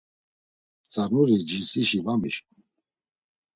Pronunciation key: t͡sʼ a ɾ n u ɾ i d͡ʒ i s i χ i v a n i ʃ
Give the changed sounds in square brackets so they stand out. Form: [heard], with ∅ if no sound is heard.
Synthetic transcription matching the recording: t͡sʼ a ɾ n u ɾ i d͡ʒ i s i [ʃ] i v a [m] i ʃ